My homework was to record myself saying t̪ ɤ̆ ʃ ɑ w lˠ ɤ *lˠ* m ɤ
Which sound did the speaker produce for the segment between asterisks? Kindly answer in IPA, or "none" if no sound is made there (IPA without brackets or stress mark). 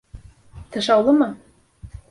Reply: none